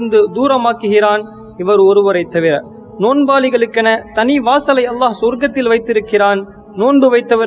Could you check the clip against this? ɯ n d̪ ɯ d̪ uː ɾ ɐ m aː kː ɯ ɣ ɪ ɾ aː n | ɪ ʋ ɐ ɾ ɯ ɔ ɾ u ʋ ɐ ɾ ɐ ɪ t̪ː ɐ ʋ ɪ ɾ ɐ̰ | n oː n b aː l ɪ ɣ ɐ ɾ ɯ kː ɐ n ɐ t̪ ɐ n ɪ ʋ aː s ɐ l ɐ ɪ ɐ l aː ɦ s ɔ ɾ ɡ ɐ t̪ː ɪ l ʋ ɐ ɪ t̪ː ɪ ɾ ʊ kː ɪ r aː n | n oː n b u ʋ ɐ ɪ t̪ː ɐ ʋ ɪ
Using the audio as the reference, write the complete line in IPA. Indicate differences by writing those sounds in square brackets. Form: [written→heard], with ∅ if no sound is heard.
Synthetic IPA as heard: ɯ n d̪ ɯ d̪ uː ɾ ɐ m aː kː ɯ ɣ ɪ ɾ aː n | ɪ ʋ ɐ ɾ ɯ ɔ ɾ [u→ɯ] ʋ ɐ ɾ ɐ ɪ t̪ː ɐ ʋ ɪ ɾ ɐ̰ | n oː n b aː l ɪ ɣ ɐ [ɾ→ɭ] ɯ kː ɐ n ɐ t̪ ɐ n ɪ ʋ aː s ɐ l ɐ ɪ ɐ [l→lː] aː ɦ s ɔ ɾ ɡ ɐ t̪ː ɪ l ʋ ɐ ɪ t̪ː ɪ ɾ [ʊ→ɯ] kː ɪ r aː n | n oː n b [u→ɯ] ʋ ɐ ɪ t̪ː ɐ ʋ ɪ